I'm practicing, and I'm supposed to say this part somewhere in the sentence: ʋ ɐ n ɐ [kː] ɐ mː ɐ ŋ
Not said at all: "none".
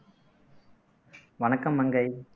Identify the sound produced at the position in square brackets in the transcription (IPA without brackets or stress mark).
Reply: kː